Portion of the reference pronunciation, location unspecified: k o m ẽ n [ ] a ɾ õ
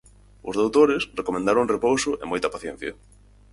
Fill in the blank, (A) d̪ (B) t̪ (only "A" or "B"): A